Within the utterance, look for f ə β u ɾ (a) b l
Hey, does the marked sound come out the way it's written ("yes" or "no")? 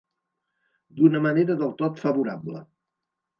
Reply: yes